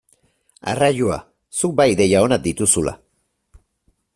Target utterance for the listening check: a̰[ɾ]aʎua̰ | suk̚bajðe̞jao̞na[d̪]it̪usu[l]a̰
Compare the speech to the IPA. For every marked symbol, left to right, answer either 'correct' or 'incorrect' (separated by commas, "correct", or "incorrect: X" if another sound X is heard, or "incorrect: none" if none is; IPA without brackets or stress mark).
incorrect: r, correct, correct